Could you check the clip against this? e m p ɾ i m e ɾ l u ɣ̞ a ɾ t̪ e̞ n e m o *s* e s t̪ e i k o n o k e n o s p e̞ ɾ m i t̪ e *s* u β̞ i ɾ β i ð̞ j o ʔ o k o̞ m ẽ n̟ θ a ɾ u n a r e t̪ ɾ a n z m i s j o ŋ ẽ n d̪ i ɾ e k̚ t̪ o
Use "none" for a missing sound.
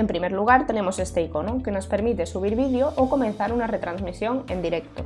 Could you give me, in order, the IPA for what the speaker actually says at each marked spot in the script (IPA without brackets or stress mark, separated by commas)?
s, s